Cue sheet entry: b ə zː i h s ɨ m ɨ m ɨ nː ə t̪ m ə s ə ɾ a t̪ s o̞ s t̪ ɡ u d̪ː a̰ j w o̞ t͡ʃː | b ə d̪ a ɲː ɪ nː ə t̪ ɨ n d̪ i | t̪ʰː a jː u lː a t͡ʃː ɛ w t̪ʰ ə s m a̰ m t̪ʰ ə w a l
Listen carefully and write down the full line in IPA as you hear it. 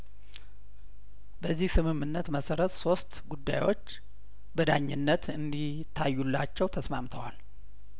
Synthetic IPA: b ə zː i h s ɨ m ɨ m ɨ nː ə t̪ m ə s ə ɾ ə t̪ s o̞ s t̪ ɡ u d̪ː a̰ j w o̞ t͡ʃː | b ə d̪ a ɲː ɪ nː ə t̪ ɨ n d̪ i | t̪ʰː a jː u lː a t͡ʃː ɛ w t̪ʰ ə s m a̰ m t̪ʰ ə w a l